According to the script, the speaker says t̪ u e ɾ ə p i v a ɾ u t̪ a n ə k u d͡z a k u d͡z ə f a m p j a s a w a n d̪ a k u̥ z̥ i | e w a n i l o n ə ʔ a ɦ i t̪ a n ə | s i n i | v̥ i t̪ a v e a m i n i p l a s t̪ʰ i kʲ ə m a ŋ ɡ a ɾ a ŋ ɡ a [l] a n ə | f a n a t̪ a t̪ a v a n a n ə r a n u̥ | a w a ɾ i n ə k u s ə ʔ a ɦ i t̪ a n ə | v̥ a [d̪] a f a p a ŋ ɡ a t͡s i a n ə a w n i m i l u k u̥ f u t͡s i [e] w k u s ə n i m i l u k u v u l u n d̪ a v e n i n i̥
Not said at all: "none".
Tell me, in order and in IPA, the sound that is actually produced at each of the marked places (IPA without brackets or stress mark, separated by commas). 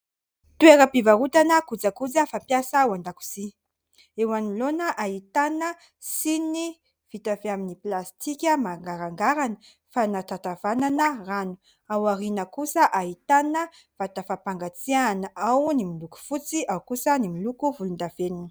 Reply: ɾ, t̪, a